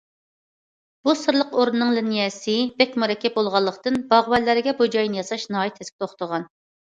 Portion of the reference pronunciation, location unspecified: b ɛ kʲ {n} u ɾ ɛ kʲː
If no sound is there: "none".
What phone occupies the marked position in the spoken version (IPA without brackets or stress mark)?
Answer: m